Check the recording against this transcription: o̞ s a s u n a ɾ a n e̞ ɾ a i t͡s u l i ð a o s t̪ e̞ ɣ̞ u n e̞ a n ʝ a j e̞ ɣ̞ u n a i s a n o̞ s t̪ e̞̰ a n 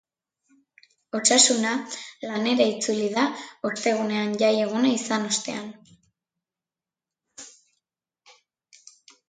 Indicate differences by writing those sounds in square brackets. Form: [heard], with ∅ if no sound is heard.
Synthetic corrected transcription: o̞ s a s u n a [l] a n e̞ ɾ a i t͡s u l i ð a o s t̪ e̞ ɣ̞ u n e̞ a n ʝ a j e̞ ɣ̞ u n a i s a n o̞ s t̪ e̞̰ a n